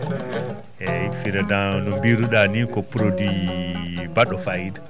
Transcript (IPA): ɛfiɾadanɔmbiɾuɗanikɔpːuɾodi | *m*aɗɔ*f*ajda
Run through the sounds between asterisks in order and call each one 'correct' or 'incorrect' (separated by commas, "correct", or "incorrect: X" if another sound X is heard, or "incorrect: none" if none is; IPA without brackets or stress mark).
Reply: incorrect: b, correct